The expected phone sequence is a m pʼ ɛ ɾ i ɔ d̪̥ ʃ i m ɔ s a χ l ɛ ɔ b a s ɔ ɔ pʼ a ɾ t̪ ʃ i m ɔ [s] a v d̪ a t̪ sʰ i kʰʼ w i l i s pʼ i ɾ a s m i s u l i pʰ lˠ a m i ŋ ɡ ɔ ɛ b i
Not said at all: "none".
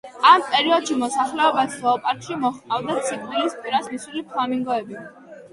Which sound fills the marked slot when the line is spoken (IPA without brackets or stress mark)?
χ